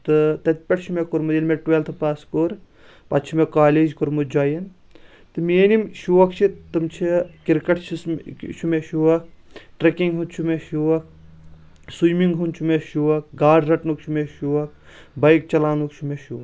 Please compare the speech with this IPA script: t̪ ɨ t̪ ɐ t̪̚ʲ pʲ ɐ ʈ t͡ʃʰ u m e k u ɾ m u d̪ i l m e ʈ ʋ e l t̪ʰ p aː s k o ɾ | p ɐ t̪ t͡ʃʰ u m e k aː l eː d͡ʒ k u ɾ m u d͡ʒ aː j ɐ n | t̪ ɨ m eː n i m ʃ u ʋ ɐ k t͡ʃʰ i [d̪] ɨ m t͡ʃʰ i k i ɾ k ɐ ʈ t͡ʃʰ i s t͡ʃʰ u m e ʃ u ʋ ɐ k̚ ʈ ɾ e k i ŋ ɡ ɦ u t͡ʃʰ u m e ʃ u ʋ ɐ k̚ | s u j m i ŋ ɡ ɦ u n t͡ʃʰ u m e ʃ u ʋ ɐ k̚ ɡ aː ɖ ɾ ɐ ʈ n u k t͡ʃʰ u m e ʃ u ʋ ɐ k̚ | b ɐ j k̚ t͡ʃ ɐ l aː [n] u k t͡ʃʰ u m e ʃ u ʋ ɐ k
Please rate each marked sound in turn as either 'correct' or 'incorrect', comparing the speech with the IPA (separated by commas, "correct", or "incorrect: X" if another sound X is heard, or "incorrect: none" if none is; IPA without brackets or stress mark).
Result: incorrect: t̪, correct